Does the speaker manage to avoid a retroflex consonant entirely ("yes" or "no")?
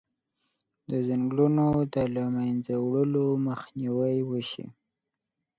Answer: no